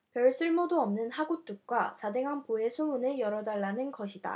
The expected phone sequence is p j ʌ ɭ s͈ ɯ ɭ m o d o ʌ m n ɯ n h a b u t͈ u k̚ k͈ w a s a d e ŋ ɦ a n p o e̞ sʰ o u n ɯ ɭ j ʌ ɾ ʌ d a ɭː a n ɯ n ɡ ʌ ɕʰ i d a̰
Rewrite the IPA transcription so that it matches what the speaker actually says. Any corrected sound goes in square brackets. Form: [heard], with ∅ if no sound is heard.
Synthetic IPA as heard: p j ʌ ɭ s͈ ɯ ɭ m o d o ʌ m n ɯ n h a [ɡ] u t͈ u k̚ k͈ w a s a d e ŋ ɦ a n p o e̞ sʰ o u n ɯ ɭ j ʌ ɾ ʌ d a ɭː a n ɯ n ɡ ʌ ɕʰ i d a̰